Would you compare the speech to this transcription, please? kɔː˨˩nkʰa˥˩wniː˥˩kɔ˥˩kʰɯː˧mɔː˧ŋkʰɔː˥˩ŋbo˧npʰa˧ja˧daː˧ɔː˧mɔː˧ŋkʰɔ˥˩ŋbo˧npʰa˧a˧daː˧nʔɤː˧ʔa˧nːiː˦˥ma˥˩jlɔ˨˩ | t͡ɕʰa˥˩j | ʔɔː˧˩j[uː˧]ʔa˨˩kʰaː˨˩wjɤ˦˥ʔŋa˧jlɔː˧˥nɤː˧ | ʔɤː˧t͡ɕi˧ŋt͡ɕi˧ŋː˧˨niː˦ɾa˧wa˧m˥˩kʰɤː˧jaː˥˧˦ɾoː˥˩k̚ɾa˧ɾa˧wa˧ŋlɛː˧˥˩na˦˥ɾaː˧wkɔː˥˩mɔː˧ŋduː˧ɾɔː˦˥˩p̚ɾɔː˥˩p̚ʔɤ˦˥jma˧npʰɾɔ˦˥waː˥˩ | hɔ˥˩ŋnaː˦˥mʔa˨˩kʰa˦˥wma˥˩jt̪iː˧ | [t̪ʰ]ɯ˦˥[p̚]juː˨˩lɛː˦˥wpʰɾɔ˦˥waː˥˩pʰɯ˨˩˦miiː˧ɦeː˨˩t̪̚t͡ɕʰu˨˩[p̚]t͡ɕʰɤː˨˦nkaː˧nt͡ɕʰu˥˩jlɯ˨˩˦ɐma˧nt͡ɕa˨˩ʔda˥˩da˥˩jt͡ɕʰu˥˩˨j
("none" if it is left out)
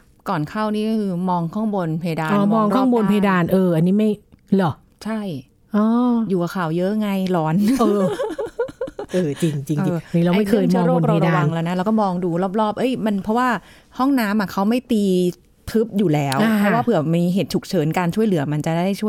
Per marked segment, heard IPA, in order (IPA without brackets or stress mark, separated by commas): uː˨˩, t̪ʰ, p̚, k̚